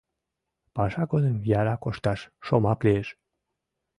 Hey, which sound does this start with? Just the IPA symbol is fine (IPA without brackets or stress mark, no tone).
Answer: p